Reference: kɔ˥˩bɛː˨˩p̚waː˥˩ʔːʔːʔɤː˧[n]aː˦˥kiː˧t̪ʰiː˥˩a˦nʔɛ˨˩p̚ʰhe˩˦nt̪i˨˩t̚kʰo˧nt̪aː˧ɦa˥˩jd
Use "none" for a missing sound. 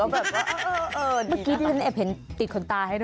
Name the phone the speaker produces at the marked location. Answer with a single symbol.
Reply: m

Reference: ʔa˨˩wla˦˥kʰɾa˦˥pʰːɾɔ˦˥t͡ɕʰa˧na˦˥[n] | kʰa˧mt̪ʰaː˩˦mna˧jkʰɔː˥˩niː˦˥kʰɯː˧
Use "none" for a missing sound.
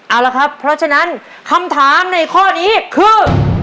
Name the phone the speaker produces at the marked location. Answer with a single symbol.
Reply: n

